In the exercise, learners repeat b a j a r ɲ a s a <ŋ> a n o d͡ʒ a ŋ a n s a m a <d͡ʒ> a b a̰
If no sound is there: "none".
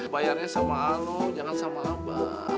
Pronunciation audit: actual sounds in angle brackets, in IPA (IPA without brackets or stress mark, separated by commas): m, none